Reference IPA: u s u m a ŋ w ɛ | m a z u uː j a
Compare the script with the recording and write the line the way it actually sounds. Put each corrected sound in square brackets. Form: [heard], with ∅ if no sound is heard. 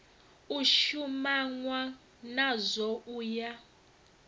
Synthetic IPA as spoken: u [ʃ] u m a ŋ w [a] | [n] a z [ɔ] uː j a